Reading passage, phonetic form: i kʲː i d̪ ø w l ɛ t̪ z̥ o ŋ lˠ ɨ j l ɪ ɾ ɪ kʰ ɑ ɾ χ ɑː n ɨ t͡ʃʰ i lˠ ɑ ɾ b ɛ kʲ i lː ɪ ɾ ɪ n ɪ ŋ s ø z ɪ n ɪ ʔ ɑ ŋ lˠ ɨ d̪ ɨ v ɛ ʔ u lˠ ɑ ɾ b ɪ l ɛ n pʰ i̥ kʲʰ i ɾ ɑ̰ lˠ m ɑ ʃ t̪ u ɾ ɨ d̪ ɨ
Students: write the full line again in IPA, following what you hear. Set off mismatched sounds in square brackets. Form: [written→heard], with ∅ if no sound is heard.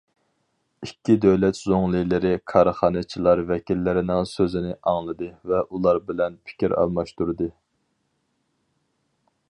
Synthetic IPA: i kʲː i d̪ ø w l ɛ t̪ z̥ o ŋ lˠ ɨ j l ɪ ɾ ɪ kʰ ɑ ɾ χ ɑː n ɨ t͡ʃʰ i lˠ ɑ ɾ [b→v] ɛ kʲ i lː ɪ ɾ ɪ n ɪ ŋ s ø z ɪ n ɪ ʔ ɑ ŋ lˠ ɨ d̪ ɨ v ɛ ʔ u lˠ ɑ ɾ b ɪ l ɛ n pʰ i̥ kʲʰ i ɾ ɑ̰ lˠ m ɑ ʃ t̪ u ɾ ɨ d̪ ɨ